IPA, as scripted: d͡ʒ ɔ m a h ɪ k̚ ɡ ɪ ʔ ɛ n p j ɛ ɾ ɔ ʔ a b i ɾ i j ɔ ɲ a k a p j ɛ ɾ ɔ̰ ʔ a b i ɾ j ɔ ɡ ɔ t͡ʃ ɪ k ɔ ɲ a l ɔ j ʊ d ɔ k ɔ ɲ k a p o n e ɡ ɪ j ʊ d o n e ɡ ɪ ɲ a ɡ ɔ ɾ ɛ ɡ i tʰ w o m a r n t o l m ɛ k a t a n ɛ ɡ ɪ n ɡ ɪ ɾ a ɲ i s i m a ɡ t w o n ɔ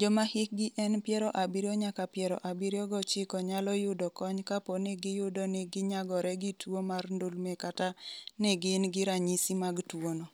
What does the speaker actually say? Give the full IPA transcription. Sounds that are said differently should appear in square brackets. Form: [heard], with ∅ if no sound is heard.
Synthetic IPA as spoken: d͡ʒ ɔ m a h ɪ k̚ ɡ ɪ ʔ ɛ n p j ɛ ɾ ɔ ʔ a b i ɾ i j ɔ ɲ a k a p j ɛ ɾ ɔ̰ ʔ a b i ɾ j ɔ ɡ ɔ t͡ʃ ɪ k ɔ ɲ a l ɔ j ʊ d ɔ k ɔ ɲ k a p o n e ɡ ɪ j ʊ d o n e ɡ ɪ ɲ a ɡ ɔ ɾ ɛ ɡ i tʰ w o m a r n [d] o l m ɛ k a t a n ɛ ɡ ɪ n ɡ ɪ ɾ a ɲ i s i m a ɡ t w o n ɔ